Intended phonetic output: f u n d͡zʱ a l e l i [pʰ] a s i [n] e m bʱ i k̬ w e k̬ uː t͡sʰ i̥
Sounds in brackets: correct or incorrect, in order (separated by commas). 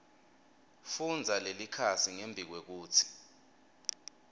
incorrect, incorrect